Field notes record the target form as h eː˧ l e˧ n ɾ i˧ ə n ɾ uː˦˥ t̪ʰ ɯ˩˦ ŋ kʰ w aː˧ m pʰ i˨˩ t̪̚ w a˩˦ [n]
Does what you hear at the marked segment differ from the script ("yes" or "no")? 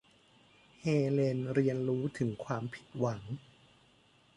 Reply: yes